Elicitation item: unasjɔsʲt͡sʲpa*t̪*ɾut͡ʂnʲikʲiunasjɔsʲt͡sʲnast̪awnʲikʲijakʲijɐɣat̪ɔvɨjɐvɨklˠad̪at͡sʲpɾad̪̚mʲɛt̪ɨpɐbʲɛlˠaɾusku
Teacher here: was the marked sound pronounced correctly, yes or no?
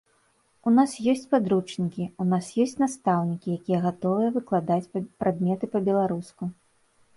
no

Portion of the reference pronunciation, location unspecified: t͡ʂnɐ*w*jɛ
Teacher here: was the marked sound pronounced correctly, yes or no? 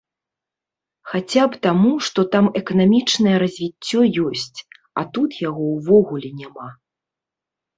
no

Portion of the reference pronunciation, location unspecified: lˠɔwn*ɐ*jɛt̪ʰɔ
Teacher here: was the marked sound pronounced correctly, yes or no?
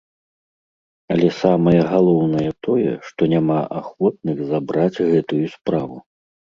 yes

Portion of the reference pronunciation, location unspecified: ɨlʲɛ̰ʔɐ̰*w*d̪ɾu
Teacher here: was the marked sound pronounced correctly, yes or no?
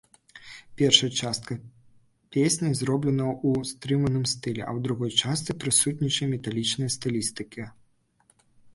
yes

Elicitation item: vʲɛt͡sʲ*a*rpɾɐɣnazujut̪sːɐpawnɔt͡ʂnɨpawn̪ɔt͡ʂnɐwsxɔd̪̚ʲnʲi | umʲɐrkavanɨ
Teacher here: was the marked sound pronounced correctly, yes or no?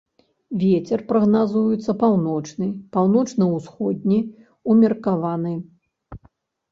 no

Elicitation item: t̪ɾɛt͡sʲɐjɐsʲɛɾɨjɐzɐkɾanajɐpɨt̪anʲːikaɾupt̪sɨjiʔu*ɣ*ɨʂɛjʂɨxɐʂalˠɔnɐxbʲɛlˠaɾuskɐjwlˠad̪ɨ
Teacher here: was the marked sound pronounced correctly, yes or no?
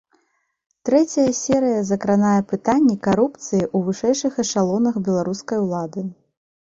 no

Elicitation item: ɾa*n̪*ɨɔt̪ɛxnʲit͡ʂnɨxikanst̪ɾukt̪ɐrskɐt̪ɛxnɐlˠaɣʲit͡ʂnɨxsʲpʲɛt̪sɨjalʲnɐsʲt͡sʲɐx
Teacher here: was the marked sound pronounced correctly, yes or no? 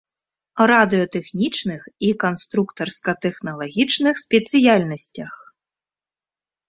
no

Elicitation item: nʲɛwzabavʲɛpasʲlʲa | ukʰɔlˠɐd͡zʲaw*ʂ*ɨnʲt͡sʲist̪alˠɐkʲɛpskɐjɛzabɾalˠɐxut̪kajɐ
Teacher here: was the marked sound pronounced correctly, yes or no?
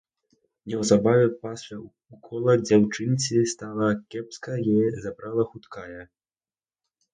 no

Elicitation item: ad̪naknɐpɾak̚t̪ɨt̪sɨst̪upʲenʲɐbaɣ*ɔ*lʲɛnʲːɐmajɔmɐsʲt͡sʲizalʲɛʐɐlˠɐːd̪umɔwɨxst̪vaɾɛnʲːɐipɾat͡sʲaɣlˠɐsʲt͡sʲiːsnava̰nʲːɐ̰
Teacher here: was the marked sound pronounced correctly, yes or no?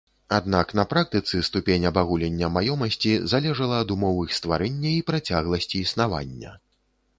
no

